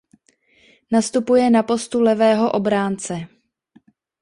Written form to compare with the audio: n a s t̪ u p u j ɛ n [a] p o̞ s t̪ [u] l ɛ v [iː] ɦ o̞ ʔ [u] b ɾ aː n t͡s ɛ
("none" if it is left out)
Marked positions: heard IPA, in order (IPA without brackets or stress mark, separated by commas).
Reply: a, u, ɛː, o